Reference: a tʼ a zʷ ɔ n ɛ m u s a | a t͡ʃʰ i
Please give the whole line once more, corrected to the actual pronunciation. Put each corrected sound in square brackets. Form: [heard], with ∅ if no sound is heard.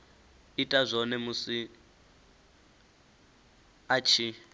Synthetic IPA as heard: [i] tʼ a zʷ ɔ n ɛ m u s [i] | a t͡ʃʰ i